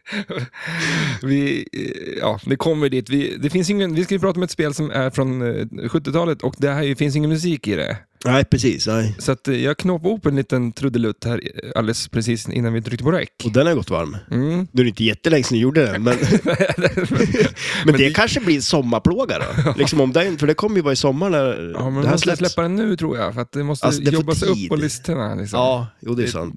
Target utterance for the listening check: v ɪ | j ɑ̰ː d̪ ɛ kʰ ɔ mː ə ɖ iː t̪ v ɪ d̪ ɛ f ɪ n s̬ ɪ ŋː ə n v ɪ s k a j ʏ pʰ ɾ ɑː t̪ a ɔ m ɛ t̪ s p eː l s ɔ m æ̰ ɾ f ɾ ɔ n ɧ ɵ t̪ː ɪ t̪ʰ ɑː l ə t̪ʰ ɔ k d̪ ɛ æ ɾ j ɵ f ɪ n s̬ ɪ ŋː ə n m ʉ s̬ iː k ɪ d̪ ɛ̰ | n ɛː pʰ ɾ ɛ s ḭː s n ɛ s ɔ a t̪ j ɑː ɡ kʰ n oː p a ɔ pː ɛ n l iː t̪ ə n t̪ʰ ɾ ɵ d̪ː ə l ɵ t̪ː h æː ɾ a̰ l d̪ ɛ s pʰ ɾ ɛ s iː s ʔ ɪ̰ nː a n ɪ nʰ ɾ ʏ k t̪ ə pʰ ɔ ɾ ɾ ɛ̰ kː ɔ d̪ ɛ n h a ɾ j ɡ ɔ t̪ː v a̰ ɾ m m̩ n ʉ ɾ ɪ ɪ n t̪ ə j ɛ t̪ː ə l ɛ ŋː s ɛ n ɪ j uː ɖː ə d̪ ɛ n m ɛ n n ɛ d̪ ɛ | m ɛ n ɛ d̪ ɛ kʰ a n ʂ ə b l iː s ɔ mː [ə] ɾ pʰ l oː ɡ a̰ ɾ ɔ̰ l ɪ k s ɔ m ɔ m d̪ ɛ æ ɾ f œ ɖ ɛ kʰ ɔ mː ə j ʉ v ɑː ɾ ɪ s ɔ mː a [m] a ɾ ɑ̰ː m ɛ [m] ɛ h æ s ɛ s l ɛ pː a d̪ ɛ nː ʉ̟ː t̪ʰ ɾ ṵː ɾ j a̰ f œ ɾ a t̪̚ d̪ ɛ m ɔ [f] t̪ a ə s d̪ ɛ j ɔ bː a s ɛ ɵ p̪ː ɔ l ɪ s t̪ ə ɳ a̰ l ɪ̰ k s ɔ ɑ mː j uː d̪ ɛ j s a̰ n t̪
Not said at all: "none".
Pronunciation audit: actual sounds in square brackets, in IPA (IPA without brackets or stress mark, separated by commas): a, ɳ, n, s